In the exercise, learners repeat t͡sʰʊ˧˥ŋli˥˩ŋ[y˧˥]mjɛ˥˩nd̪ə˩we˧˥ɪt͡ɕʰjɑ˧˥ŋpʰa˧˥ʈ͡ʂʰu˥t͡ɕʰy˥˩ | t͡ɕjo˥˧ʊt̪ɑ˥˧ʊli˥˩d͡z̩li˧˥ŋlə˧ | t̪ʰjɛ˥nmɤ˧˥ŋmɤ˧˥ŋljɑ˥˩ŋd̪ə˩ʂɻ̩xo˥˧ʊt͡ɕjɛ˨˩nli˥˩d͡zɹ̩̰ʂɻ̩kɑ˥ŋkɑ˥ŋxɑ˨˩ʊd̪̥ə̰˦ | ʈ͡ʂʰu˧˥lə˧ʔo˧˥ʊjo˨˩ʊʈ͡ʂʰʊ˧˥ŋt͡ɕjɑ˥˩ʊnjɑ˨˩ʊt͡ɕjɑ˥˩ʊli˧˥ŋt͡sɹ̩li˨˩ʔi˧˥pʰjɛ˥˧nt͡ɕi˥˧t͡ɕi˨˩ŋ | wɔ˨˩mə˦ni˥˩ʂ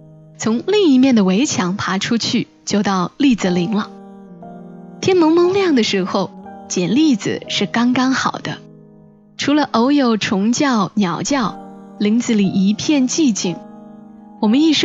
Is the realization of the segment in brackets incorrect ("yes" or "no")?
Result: yes